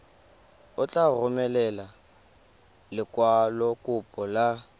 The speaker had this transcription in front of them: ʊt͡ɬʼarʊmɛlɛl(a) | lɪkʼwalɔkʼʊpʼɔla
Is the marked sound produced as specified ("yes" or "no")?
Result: yes